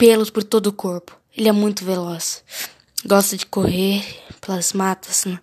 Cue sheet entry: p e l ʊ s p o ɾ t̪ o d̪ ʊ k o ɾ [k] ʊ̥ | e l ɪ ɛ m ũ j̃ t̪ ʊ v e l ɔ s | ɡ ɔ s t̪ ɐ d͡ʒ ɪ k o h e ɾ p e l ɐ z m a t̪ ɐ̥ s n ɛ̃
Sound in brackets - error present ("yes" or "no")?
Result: yes